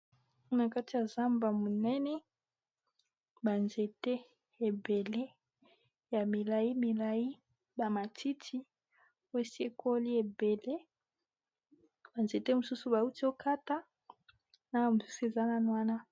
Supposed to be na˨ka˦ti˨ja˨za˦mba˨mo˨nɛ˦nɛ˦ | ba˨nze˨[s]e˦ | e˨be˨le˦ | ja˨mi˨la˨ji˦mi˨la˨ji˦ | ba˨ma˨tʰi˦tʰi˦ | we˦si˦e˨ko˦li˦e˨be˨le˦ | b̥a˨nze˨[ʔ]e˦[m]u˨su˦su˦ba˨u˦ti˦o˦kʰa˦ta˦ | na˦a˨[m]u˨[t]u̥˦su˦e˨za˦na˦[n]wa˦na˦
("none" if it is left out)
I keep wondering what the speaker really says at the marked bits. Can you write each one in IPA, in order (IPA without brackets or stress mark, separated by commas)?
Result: t, t, m, m, s, n